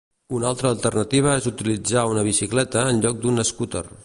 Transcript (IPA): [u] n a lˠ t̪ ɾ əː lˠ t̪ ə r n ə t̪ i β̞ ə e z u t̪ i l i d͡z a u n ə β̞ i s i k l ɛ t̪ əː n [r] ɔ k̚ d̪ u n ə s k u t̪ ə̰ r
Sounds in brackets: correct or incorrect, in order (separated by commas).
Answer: correct, incorrect